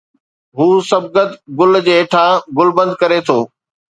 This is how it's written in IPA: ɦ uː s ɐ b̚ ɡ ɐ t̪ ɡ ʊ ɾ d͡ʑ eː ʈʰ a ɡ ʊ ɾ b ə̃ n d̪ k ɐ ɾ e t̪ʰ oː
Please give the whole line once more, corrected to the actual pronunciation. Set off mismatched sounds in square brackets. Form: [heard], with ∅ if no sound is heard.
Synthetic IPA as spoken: ɦ uː s ɐ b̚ ɡ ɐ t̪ ɡ ʊ [l] d͡ʑ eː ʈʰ a ɡ ʊ [l] b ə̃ n d̪ k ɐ ɾ e t̪ʰ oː